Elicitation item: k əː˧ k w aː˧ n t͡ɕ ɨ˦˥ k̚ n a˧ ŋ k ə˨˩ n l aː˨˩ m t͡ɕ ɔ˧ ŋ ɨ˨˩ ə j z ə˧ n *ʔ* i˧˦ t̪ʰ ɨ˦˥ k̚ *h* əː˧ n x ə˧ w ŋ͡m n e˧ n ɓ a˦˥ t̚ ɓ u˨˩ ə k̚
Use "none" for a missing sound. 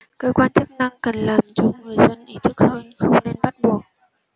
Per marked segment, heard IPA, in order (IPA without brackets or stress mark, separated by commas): ʔ, h